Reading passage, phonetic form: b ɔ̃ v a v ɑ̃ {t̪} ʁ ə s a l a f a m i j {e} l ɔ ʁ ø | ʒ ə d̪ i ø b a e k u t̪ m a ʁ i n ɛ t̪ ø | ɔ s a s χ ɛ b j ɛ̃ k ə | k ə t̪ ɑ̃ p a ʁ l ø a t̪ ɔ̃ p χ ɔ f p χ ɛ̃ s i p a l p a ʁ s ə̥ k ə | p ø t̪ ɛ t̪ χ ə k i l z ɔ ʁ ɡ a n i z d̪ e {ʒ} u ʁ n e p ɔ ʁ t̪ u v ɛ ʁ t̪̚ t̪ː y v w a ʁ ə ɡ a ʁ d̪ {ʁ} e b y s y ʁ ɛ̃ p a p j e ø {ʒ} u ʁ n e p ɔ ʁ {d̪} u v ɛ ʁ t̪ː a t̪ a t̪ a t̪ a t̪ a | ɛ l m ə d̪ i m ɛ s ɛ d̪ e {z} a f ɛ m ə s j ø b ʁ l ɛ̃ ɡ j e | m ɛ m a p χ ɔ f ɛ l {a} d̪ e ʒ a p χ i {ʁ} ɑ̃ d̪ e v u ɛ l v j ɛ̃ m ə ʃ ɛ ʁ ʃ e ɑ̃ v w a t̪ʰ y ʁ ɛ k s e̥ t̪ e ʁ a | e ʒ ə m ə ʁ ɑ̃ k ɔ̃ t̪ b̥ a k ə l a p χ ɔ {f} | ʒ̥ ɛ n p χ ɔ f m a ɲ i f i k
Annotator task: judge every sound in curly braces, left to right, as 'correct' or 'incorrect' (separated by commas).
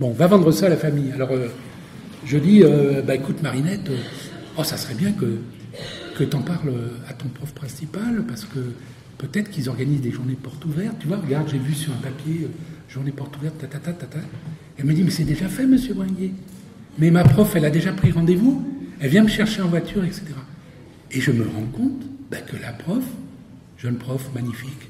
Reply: incorrect, incorrect, correct, incorrect, correct, incorrect, incorrect, correct, correct, correct